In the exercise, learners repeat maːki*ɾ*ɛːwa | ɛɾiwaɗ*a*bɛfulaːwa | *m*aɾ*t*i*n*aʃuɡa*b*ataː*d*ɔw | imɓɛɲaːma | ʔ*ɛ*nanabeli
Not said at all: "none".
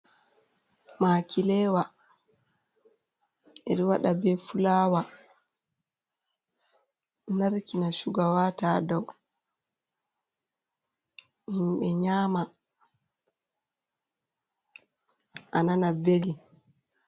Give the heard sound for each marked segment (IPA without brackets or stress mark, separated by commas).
l, a, n, k, n, w, d, a